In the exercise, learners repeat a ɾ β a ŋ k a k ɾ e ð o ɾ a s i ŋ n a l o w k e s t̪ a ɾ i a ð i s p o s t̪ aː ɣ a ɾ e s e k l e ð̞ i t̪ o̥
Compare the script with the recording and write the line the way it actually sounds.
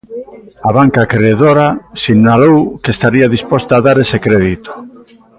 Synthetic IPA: a β a ŋ k a k ɾ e ð o ɾ a s i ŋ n a l o w k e s t̪ a ɾ i a ð i s p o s t̪ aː ð a ɾ e s e k ɾ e ð̞ i t̪ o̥